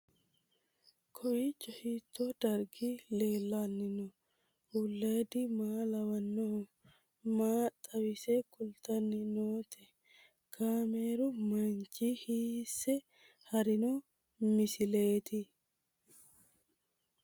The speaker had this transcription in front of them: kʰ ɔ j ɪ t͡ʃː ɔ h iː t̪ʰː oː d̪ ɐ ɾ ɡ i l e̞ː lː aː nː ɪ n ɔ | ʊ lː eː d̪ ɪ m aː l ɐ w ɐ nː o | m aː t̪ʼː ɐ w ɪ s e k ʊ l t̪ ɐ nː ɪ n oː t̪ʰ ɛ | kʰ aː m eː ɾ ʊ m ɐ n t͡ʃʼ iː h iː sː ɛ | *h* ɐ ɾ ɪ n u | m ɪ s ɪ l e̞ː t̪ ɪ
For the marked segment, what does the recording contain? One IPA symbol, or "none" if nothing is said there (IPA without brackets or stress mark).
h